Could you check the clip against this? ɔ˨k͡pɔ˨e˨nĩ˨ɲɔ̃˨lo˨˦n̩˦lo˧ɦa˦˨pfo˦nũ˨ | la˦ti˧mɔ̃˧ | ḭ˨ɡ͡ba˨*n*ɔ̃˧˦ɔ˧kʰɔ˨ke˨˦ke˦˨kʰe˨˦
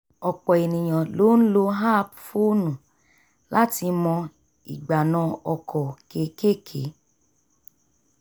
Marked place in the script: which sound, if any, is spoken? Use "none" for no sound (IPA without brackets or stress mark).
n